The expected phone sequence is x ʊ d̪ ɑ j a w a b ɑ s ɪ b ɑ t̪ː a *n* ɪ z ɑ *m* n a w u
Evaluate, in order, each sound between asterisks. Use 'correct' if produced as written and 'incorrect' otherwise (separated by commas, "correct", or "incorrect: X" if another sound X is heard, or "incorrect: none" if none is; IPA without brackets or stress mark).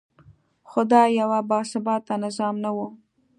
correct, correct